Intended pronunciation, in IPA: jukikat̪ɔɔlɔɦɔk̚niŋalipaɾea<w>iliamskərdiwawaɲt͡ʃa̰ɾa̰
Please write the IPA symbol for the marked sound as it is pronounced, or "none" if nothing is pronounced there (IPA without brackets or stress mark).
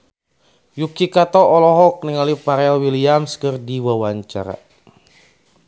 w